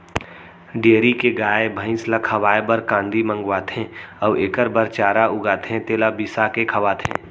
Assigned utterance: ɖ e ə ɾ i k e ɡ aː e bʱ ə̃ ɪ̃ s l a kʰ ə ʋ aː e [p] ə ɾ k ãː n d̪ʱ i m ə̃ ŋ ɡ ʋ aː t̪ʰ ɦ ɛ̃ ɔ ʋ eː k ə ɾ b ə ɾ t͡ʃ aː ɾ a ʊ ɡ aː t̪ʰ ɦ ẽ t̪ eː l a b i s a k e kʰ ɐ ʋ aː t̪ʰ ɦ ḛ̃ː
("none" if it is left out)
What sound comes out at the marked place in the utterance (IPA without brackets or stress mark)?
b